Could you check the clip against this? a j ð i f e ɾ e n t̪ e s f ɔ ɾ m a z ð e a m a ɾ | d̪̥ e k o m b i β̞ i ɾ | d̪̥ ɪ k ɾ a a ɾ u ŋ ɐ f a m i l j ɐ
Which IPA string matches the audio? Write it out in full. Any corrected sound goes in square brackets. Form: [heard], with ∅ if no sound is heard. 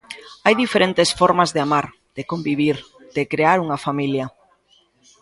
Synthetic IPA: a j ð i f e ɾ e n t̪ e s f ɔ ɾ m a z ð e a m a ɾ | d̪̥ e k o m b i β̞ i ɾ | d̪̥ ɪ k ɾ [e] a ɾ u ŋ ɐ f a m i l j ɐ